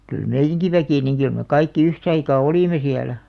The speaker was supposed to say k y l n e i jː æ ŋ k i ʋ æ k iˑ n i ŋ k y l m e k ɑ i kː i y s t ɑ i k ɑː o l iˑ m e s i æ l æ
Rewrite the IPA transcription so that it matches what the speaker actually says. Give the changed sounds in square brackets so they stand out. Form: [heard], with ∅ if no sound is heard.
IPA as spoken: k y l [m] e i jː æ ŋ k i ʋ æ k iˑ n i ŋ k y l m e k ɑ i kː i y [h] t ɑ i k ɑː o l iˑ m e s i æ l æ